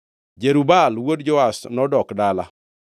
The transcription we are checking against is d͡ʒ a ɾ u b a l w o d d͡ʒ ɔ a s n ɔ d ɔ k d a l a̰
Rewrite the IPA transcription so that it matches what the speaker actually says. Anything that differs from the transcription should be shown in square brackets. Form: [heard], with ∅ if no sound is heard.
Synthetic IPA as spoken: d͡ʒ [e] ɾ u b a l w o d d͡ʒ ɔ a s n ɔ d ɔ k d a l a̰

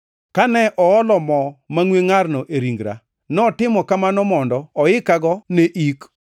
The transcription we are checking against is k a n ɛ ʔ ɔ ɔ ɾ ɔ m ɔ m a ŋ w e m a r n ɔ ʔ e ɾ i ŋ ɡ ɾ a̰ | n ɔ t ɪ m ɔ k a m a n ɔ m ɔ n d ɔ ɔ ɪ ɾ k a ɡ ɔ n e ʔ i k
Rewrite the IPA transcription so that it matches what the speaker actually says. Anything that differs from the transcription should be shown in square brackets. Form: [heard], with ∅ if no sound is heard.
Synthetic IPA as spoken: k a n ɛ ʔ ɔ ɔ [l] ɔ m ɔ m a ŋ w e [ŋ] a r n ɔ ʔ e ɾ i ŋ ɡ ɾ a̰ | n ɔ t ɪ m ɔ k a m a n ɔ m ɔ n d ɔ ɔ ɪ [∅] k a ɡ ɔ n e ʔ i k

